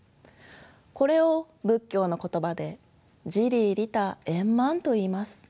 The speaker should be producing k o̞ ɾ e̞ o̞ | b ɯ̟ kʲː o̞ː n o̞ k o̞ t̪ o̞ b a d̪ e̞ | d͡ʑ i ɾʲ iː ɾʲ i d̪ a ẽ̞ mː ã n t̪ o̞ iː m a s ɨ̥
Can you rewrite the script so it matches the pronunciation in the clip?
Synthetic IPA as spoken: k o̞ ɾ e̞ o̞ | b ɯ̟ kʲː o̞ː n o̞ k o̞ t̪ o̞ b a d̪ e̞ | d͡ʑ i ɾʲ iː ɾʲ i t̪ a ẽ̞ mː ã n t̪ o̞ iː m a s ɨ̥